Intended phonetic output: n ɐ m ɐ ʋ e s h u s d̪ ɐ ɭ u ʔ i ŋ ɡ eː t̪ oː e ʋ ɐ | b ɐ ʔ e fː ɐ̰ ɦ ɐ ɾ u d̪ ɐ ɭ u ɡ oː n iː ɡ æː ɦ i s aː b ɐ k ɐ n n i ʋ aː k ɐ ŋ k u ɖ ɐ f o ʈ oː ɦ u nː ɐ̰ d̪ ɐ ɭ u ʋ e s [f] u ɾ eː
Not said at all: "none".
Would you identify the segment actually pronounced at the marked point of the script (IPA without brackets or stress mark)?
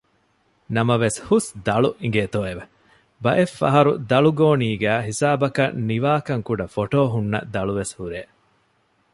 h